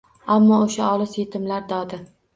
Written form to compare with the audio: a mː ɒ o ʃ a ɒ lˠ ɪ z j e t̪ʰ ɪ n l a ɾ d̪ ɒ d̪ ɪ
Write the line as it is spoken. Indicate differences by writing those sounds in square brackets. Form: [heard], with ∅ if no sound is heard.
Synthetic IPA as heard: a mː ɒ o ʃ a ɒ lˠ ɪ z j e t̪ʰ ɪ [m] l a ɾ d̪ ɒ d̪ ɪ